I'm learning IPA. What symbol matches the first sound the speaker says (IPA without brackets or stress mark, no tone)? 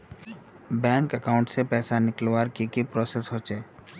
b